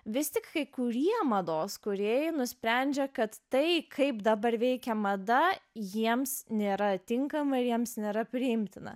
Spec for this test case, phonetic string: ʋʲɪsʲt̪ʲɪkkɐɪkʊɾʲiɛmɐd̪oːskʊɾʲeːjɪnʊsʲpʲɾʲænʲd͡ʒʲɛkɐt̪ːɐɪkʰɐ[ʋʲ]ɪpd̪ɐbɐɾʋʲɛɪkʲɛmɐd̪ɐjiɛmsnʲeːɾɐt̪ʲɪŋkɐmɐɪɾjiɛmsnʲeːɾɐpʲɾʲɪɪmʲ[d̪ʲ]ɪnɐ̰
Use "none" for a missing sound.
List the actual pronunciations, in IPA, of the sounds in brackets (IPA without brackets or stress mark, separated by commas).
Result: none, t̪ʲ